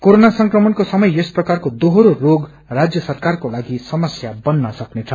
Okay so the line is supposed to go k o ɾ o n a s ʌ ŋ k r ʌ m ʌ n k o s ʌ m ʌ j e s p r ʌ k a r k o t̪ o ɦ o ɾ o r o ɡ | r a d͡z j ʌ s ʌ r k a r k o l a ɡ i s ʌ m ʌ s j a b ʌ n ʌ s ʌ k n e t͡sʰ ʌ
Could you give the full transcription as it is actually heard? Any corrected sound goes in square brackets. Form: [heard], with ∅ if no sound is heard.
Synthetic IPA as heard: k o ɾ o n a s ʌ ŋ k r ʌ m ʌ n k o s ʌ m ʌ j e s p r ʌ k a r k o [d̪] o ɦ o ɾ o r o ɡ | r a d͡z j ʌ s ʌ r k a r k o l a ɡ i s ʌ m ʌ s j a b ʌ [nː] ʌ s ʌ k n e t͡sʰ ʌ